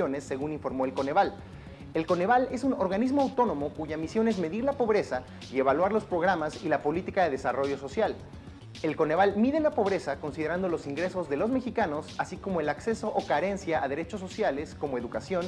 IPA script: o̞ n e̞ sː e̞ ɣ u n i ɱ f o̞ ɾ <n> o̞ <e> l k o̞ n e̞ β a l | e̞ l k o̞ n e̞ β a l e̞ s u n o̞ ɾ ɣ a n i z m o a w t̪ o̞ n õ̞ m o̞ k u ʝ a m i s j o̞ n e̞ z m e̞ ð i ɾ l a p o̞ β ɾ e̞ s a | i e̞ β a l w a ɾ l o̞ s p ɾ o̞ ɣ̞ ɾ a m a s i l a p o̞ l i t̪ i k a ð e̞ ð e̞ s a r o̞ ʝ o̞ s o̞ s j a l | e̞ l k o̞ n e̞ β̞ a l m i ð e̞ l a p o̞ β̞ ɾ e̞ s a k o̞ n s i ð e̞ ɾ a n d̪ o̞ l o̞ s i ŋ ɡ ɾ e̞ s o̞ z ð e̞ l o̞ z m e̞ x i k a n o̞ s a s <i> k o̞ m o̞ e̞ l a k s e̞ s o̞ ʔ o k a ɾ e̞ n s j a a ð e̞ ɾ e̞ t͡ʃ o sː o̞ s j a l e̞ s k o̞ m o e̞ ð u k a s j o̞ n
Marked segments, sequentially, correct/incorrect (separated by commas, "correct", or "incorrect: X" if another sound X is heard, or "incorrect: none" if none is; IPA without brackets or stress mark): incorrect: m, correct, correct